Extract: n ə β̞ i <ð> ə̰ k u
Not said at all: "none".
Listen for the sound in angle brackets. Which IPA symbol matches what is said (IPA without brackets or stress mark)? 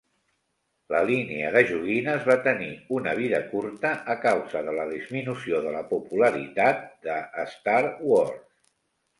ð